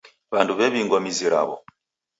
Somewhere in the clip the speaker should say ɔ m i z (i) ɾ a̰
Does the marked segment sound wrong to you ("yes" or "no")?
no